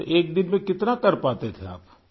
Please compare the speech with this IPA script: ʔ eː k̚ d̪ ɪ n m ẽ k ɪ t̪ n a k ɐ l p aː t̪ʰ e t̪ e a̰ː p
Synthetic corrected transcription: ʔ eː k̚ d̪ ɪ n m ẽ k ɪ t̪ n a k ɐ ɾ p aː t̪ e t̪ʰ e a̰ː p